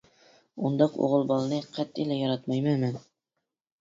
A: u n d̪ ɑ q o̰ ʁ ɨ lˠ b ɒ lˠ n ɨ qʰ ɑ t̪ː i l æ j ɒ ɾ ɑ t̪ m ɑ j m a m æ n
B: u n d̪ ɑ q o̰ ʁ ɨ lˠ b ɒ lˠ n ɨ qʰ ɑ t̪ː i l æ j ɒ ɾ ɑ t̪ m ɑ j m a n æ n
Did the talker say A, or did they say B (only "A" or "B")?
A